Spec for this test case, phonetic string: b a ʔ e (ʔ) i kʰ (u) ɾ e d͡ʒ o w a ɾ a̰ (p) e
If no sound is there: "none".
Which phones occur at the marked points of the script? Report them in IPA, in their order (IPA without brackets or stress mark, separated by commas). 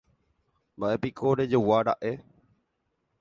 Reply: p, o, ʔ